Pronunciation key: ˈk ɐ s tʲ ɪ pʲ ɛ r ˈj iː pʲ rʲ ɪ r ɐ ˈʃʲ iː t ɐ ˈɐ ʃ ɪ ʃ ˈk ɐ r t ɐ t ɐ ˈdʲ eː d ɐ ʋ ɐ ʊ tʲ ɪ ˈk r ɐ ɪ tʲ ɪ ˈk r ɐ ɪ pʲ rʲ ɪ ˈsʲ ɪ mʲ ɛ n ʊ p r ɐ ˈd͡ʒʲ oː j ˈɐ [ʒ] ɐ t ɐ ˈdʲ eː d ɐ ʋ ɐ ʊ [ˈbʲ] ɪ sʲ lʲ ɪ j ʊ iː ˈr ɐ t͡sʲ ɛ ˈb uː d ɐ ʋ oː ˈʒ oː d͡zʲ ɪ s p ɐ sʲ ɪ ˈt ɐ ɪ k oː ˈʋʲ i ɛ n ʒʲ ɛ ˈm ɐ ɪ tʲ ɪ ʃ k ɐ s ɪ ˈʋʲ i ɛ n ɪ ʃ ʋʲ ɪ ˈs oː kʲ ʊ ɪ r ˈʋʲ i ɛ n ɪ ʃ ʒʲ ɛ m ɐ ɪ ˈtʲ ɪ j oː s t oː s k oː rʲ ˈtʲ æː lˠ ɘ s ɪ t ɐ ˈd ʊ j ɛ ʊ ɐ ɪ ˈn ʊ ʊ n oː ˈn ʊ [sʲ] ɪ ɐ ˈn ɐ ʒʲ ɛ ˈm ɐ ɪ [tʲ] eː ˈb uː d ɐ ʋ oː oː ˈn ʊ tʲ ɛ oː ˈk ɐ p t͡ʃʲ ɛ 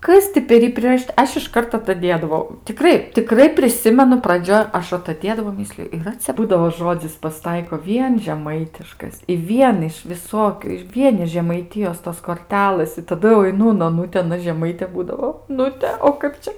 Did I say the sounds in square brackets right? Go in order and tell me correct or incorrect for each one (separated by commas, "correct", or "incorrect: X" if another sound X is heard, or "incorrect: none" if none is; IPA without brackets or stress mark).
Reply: incorrect: ʃ, incorrect: mʲ, incorrect: tʲ, correct